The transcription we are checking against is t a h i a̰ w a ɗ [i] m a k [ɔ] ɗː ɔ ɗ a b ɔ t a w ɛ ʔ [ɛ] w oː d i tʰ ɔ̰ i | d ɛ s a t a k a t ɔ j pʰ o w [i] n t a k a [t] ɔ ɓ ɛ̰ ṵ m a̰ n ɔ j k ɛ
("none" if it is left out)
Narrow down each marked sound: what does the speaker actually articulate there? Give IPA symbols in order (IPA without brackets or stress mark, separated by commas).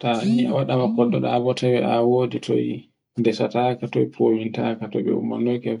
a, ɔ, a, i, t